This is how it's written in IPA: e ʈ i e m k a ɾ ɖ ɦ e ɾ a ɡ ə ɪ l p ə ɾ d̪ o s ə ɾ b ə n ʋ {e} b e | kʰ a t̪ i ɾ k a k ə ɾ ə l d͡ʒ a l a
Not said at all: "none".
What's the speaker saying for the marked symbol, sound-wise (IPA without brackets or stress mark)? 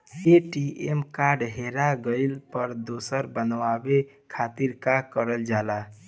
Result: a